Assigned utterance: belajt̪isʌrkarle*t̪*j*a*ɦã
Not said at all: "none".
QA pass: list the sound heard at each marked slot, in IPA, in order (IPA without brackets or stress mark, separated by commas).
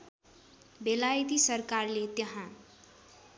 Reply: t̪, ʌ